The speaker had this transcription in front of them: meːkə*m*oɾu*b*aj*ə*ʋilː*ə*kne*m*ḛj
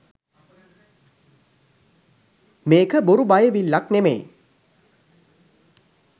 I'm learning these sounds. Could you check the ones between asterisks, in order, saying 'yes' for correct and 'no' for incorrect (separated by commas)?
no, yes, yes, no, yes